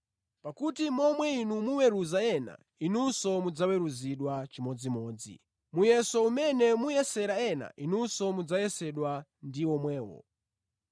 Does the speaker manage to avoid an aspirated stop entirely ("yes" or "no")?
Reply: yes